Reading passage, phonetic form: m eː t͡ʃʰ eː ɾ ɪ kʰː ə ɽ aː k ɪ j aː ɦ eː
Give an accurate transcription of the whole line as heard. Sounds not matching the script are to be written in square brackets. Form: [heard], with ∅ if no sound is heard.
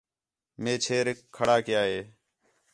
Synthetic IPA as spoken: m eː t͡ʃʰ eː ɾ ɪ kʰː ə ɽ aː k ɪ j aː ɦ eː